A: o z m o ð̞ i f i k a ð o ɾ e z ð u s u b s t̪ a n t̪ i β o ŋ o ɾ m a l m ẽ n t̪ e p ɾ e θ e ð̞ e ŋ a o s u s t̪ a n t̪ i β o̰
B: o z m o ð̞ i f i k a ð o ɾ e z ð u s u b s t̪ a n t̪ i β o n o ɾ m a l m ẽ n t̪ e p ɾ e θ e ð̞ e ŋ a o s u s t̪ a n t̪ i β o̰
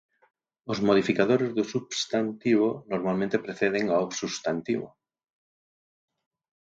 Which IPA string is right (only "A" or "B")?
B